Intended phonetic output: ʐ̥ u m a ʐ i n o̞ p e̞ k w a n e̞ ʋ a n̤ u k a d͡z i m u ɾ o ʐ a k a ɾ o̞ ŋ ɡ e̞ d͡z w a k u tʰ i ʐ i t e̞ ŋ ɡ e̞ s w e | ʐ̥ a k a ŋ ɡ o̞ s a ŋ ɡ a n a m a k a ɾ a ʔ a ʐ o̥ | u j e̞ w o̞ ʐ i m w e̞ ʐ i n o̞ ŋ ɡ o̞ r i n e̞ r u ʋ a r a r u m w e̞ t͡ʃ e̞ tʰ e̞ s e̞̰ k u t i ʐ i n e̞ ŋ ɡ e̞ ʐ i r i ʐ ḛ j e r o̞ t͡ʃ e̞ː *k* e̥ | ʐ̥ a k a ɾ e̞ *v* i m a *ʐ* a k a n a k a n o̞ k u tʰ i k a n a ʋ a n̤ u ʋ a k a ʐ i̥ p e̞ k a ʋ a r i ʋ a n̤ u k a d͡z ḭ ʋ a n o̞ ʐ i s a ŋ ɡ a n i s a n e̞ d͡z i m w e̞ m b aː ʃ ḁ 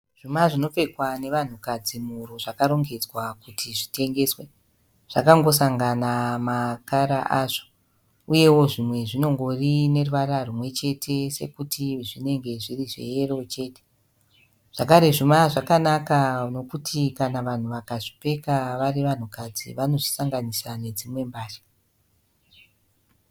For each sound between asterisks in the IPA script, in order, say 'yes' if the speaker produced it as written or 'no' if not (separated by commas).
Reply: no, no, yes